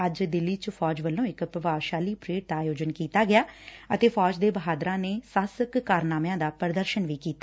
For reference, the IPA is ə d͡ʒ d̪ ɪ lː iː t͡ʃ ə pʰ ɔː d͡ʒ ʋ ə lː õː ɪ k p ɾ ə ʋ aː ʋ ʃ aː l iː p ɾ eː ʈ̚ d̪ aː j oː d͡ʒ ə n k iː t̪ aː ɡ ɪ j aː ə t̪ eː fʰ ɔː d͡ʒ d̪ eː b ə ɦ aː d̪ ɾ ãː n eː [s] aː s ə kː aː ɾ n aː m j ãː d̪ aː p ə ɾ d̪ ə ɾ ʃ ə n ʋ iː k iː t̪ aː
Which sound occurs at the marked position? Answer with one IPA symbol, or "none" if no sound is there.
s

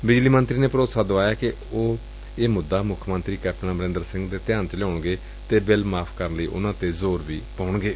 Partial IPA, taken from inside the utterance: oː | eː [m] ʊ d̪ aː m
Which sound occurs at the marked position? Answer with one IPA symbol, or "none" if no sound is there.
m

